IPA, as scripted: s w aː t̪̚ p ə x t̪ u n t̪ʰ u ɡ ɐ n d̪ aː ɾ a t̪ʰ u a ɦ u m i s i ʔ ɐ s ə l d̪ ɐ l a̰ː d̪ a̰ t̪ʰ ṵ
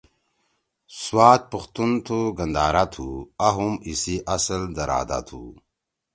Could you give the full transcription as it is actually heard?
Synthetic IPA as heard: s w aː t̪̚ p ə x t̪ u n t̪ʰ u ɡ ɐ n d̪ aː ɾ a t̪ʰ u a ɦ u m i s i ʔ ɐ s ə l d̪ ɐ ɾ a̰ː d̪ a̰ t̪ʰ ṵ

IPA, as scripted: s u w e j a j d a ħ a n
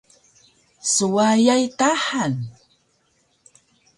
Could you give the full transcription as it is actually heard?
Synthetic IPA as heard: s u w a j a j t a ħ a n

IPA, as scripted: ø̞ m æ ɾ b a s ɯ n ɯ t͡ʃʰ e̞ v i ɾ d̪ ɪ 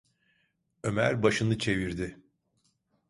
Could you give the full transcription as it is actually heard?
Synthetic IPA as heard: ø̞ m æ ɾ b a ʃ ɯ n ɯ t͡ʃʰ e̞ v i ɾ d̪ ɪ

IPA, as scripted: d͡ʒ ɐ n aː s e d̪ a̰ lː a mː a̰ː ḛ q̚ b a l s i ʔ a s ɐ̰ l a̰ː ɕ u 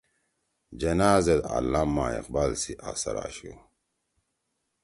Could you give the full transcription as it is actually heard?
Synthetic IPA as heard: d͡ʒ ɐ n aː z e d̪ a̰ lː a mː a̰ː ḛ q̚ b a l s i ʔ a s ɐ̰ ɾ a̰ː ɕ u

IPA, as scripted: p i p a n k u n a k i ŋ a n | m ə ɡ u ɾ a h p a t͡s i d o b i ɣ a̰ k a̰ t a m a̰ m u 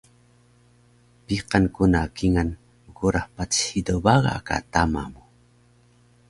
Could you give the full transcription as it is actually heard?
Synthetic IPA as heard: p i q a n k u n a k i ŋ a n | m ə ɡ u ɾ a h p a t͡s i d o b a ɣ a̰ k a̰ t a m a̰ m u

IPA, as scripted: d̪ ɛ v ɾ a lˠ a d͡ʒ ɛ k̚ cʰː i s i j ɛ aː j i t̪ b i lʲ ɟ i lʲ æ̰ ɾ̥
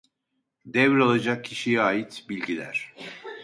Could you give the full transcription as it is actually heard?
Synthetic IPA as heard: d̪ ɛ v ɾ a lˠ a d͡ʒ a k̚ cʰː i ʃ i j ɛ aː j i t̪ b i lʲ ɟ i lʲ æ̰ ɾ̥

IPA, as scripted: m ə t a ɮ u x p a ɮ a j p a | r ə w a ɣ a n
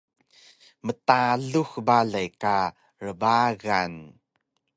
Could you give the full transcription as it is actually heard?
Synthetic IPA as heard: m ə t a ɮ u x b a ɮ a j k a | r ə b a ɣ a n

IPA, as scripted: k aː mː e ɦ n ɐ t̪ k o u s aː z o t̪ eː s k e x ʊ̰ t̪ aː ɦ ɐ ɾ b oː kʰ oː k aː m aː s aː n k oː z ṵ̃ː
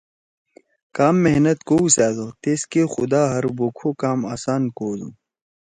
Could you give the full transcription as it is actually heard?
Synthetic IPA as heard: k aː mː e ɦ n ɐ t̪ k o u s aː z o t̪ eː s k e x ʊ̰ d̪ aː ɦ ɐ ɾ b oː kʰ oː k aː m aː s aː n k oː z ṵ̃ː

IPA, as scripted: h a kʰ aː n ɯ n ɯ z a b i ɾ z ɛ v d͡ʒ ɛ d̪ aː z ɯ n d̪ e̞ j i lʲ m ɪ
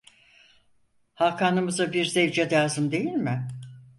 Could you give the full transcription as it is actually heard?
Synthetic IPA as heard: h a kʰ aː n ɯ m ɯ z a b i ɾ z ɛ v d͡ʒ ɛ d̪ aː z ɯ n d̪ e̞ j i lʲ m ɪ

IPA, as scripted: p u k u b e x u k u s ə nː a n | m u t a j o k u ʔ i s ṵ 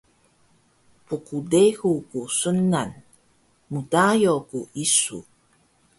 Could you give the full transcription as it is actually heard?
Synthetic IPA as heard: p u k u d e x u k u s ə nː a n | m u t a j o k u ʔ i s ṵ

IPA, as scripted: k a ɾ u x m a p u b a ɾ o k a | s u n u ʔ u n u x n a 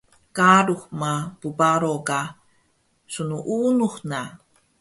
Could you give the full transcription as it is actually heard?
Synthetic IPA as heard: k a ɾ u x m a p u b a ɾ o k a | s u n u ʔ u n u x n a

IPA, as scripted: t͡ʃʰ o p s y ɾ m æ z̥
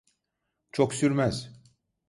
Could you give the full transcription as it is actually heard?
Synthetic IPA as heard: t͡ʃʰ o k s y ɾ m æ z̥

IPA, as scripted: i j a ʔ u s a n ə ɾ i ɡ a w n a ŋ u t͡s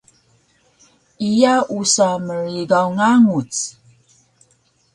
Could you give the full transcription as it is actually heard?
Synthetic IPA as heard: i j a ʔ u s a m ə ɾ i ɡ a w ŋ a ŋ u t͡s

